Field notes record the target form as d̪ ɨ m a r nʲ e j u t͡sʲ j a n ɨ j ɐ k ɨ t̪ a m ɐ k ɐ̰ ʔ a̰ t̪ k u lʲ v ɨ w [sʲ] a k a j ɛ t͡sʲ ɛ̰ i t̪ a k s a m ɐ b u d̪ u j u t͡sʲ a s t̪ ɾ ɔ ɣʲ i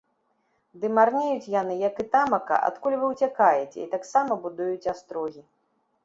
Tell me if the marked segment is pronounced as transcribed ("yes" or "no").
no